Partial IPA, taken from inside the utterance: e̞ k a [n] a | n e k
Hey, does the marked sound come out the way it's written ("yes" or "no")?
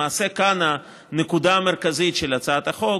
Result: yes